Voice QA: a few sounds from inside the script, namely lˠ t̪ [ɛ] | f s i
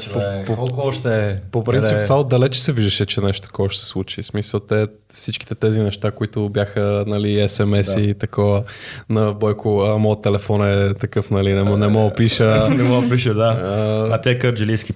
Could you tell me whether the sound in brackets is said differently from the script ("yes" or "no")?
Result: no